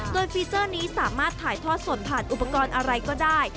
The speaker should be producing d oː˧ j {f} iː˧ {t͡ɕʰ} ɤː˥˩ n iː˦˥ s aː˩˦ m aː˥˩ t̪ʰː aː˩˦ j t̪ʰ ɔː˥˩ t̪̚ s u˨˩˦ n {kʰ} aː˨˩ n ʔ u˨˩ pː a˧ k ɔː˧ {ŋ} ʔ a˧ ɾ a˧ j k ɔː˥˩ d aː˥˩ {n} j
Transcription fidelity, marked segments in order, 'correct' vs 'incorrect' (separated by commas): correct, incorrect, incorrect, incorrect, incorrect